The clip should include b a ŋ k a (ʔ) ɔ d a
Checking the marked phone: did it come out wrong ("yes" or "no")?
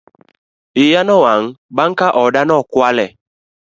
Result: no